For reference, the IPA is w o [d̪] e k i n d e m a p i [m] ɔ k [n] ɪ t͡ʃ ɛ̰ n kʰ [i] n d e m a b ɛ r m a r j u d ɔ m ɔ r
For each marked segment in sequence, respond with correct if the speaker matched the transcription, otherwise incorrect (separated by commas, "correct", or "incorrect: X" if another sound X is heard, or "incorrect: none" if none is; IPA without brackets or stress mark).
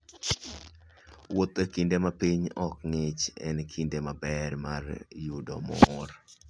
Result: incorrect: t̪, incorrect: ɲ, incorrect: ŋ, correct